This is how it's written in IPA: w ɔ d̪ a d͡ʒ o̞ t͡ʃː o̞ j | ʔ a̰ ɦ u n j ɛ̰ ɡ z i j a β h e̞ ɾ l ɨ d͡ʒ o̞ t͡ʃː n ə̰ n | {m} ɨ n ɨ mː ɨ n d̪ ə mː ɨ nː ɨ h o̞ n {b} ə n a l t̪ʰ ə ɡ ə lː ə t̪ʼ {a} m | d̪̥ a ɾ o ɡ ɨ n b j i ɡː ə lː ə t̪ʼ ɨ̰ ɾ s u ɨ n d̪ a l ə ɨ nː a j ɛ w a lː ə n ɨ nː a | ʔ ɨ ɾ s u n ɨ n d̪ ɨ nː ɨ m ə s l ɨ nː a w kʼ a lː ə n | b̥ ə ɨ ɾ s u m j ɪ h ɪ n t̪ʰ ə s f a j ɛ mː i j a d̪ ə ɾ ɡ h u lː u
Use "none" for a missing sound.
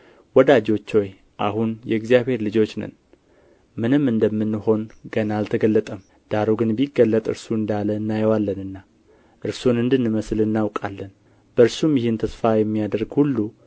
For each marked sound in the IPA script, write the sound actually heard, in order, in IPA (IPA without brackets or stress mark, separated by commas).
m, ɡ, ə